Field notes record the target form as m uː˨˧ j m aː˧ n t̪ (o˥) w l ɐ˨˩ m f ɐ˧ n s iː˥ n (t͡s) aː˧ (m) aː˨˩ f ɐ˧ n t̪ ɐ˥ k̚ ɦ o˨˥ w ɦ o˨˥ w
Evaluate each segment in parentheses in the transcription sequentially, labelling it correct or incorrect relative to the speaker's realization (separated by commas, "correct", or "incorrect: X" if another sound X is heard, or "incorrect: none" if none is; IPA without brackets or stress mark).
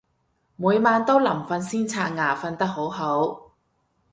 correct, incorrect: t͡sʰ, incorrect: ŋ